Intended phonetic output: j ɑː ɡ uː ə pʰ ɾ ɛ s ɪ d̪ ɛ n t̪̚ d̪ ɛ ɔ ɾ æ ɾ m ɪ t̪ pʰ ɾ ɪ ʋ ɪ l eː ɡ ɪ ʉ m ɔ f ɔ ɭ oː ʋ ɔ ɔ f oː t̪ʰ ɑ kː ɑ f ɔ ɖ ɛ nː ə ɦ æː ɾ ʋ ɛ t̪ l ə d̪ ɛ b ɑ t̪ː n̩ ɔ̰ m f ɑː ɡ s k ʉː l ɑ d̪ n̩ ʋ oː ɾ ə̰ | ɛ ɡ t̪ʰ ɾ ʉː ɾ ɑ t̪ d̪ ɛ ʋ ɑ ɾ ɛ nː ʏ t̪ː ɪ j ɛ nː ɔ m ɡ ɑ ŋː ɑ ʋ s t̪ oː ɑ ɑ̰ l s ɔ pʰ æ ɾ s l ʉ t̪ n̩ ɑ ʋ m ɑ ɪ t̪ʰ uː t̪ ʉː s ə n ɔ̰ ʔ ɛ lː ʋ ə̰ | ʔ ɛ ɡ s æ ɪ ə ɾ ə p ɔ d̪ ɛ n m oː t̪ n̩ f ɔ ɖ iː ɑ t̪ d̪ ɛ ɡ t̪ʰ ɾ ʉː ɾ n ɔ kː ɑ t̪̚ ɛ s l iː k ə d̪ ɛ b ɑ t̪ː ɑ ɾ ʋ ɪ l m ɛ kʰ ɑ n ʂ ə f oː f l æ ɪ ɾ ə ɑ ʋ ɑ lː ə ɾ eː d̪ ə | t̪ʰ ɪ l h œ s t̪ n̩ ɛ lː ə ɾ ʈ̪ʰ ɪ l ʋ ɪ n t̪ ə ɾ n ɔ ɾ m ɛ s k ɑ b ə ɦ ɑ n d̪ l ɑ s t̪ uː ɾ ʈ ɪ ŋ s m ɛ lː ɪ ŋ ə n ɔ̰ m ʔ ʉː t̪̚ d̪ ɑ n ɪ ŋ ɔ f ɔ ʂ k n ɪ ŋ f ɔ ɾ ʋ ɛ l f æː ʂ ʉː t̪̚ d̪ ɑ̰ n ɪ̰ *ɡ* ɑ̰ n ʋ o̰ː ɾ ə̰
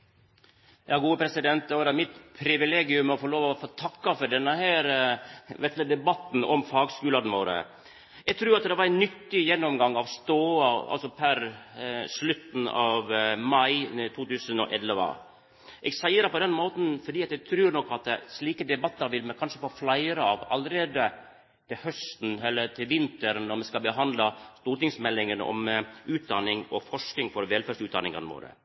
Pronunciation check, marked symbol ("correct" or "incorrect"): incorrect